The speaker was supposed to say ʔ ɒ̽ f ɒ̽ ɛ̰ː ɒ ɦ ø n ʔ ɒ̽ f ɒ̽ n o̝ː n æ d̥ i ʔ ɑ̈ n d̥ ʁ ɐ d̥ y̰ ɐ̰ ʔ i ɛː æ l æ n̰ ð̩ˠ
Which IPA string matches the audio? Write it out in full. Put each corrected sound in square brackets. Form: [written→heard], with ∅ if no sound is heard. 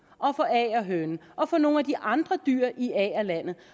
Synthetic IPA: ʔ ɒ̽ f ɒ̽ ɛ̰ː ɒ ɦ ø n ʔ ɒ̽ f ɒ̽ n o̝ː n æ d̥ i ʔ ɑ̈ n d̥ ʁ ɐ d̥ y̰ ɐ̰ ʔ i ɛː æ l æ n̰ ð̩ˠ